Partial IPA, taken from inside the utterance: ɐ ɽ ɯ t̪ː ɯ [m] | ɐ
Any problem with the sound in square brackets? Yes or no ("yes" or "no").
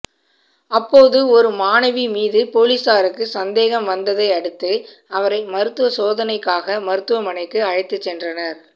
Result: yes